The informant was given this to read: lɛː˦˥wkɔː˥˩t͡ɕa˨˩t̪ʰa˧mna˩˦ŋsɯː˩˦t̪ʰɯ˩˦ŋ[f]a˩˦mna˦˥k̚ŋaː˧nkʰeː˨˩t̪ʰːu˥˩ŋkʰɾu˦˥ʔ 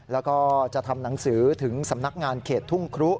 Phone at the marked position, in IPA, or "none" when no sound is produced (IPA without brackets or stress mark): s